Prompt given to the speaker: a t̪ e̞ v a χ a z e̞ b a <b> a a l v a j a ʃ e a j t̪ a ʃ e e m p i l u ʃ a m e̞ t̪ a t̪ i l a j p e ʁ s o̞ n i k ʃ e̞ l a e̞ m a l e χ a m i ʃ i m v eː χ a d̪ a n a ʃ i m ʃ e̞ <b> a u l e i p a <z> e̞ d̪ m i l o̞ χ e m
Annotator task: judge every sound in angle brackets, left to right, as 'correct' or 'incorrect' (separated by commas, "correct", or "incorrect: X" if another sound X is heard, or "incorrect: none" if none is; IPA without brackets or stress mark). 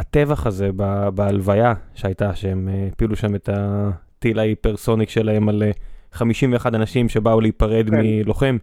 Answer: correct, correct, incorrect: ʁ